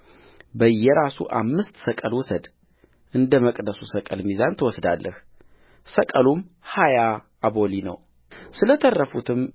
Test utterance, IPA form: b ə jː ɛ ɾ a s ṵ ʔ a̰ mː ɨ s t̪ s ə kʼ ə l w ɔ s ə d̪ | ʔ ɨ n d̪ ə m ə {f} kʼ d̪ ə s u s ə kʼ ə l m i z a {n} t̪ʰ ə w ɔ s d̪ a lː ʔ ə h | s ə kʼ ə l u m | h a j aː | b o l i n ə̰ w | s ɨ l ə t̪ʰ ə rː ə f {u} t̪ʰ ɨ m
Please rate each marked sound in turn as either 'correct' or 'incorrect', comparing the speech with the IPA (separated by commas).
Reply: incorrect, correct, correct